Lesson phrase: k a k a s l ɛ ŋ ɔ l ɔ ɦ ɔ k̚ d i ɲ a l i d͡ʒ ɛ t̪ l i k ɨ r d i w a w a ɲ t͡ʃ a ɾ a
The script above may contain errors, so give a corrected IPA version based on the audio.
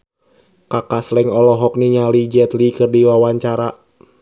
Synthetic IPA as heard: k a k a s l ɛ ŋ ɔ l ɔ ɦ ɔ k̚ n i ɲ a l i d͡ʒ ɛ t̪ l i k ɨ r d i w a w a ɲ t͡ʃ a ɾ a